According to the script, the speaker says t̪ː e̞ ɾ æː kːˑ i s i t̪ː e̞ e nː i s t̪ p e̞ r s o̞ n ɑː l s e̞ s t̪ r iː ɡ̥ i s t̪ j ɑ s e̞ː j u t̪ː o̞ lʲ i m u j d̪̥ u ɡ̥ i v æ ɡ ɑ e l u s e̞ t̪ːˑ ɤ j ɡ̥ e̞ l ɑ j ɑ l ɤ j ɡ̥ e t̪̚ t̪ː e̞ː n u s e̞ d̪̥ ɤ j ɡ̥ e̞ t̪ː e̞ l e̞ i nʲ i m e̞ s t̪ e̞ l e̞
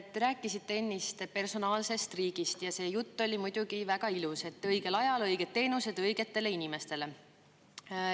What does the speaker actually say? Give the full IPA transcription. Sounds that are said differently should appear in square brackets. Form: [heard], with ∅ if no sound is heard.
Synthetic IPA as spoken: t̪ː e̞ ɾ æː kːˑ i s i t̪ː e̞ e nː i s t̪ p e̞ r s o̞ n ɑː l s e̞ s t̪ r iː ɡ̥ i s t̪ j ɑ s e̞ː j u t̪ː o̞ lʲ i m u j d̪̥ u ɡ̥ i v æ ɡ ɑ [i] l u s e̞ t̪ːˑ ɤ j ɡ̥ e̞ l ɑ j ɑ l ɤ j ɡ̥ e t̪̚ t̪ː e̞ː n u s e̞ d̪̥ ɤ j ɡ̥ e̞ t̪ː e̞ l e̞ i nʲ i m e̞ s t̪ e̞ l e̞